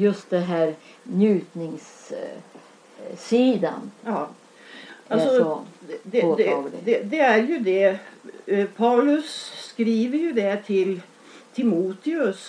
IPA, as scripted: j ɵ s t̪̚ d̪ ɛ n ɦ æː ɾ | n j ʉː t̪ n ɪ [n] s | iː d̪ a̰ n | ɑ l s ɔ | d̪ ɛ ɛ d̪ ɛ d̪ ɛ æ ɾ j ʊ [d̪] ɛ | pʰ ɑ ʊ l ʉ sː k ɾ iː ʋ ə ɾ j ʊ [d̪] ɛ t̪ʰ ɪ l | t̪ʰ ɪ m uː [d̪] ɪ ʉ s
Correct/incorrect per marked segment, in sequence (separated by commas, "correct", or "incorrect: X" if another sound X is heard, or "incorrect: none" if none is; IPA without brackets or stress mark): incorrect: ŋ, correct, correct, incorrect: t̪